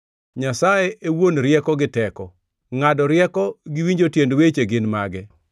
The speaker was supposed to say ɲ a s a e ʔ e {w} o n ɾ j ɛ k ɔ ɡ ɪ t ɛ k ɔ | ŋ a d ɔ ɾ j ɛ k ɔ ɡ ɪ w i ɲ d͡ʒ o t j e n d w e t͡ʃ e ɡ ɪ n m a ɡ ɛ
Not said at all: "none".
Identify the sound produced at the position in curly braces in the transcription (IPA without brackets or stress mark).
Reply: w